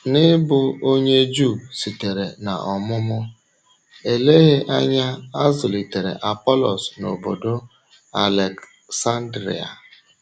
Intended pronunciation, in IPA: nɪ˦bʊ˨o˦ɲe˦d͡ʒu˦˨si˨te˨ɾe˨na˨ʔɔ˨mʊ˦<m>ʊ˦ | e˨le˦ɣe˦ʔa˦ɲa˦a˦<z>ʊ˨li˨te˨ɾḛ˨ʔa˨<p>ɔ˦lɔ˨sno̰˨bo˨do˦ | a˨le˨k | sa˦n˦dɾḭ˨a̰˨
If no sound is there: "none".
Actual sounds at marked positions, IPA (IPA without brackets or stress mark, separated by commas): m, z, p